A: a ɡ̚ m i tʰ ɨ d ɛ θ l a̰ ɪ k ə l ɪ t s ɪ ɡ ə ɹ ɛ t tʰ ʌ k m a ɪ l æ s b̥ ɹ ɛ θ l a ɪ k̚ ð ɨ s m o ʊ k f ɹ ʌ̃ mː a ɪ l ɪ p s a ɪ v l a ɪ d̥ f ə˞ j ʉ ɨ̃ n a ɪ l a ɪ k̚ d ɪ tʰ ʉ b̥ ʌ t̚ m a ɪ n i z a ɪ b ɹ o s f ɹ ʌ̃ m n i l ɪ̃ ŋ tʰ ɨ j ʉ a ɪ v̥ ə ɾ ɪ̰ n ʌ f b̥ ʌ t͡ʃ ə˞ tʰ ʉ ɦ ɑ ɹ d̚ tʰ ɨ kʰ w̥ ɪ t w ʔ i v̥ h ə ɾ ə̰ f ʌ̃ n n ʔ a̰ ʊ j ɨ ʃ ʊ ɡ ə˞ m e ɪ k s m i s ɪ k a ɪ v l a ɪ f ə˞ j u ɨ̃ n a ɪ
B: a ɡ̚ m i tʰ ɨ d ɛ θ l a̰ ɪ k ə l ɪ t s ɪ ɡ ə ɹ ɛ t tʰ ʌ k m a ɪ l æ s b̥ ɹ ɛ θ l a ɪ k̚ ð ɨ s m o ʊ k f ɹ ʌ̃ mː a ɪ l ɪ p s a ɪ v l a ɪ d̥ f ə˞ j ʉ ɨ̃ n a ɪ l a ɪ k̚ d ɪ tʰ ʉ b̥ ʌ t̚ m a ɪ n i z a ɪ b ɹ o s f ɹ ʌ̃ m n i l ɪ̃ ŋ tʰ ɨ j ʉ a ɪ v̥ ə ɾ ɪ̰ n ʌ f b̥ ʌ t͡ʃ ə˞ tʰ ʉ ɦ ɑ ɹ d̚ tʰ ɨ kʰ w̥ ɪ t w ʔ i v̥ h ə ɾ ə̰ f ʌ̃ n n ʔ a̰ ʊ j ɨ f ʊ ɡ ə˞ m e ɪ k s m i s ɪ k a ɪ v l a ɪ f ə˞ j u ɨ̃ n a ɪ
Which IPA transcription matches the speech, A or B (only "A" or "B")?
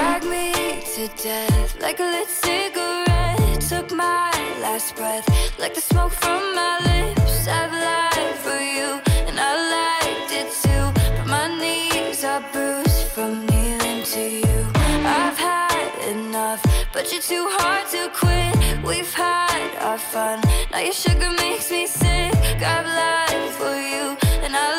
A